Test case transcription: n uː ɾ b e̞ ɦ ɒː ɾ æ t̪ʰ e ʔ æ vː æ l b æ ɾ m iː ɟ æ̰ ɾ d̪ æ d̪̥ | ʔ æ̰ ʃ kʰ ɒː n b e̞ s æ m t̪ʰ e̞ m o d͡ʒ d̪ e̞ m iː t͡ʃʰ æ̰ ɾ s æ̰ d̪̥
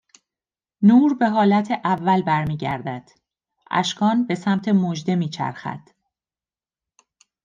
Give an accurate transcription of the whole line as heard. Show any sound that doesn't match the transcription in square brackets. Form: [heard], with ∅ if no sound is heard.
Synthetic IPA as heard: n uː ɾ b e̞ ɦ ɒː [l] æ t̪ʰ e ʔ æ vː æ l b æ ɾ m iː ɟ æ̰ ɾ d̪ æ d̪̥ | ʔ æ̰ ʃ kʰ ɒː n b e̞ s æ m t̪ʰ e̞ m o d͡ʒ d̪ e̞ m iː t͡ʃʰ æ̰ ɾ [x] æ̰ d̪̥

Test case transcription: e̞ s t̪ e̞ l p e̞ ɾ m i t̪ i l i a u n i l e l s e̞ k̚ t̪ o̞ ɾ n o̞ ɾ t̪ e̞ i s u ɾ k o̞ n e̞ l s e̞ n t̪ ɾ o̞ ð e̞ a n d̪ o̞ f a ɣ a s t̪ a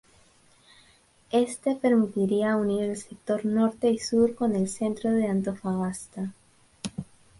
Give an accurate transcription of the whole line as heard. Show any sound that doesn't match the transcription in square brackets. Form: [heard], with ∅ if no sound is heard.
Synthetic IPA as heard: e̞ s t̪ e̞ [∅] p e̞ ɾ m i t̪ i [ɾ] i a u n i [ɾ] e l s e̞ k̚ t̪ o̞ ɾ n o̞ ɾ t̪ e̞ i s u ɾ k o̞ n e̞ l s e̞ n t̪ ɾ o̞ ð e̞ a n [t̪] o̞ f a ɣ a s t̪ a

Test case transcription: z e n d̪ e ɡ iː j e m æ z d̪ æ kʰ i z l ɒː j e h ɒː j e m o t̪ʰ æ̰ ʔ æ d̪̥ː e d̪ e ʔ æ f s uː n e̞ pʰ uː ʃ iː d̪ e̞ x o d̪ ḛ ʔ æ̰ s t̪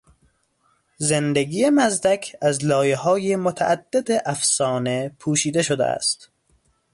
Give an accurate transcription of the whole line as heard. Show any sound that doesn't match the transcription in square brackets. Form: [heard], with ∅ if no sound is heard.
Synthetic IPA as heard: z e n d̪ e ɡ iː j e m æ z d̪ æ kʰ [æ] z l ɒː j e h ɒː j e m o t̪ʰ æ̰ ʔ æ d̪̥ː e d̪ e ʔ æ f s [ɒː] n e̞ pʰ uː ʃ iː d̪ e̞ [ʃ] o d̪ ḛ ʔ æ̰ s t̪

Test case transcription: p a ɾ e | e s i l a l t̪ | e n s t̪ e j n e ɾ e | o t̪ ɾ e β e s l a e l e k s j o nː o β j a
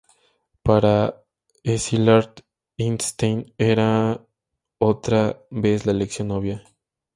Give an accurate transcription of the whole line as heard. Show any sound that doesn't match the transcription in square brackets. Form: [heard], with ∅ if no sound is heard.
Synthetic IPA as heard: p a ɾ [a] | e s i l a [ɾ] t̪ | [i] n s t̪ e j n e ɾ [a] | o t̪ ɾ [a] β e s l a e l e k s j o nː o β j a

